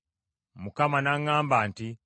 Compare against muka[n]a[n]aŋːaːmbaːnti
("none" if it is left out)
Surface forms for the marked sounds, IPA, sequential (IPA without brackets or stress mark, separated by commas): m, n